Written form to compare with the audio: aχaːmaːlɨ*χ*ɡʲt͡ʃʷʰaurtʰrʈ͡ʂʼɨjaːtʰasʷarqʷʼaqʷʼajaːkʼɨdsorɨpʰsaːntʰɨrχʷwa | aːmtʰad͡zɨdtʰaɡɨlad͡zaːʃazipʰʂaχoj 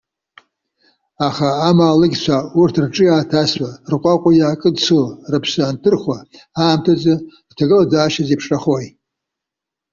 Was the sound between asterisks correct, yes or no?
no